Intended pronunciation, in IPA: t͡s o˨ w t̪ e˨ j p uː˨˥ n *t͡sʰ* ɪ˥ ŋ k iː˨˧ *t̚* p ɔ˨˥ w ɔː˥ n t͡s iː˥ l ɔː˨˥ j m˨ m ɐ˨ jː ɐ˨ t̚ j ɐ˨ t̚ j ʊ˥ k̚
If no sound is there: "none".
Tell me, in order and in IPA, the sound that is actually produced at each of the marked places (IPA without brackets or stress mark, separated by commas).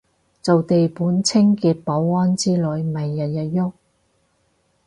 t͡sʰ, t̚